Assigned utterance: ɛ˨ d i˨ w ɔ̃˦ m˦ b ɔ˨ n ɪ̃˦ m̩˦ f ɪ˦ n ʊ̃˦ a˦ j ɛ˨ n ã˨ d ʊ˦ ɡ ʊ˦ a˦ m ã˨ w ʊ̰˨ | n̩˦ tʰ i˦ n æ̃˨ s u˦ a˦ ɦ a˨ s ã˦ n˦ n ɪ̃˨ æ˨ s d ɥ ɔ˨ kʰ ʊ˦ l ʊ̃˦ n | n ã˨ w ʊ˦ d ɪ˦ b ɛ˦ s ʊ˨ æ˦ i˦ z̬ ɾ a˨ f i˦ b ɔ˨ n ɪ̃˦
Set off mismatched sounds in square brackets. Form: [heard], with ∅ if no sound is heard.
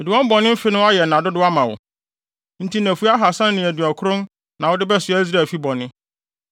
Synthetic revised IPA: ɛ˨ d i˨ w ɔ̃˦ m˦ b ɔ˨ n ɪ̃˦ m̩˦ f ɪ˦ n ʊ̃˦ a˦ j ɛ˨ n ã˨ d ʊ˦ [d] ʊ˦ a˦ m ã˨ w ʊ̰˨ | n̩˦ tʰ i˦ n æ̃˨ [f] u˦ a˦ ɦ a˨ s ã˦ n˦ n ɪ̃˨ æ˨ [∅] d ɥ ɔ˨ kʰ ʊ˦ [ɾ] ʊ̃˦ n | n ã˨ w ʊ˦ d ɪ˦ b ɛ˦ s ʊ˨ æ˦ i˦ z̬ ɾ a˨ f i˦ b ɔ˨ n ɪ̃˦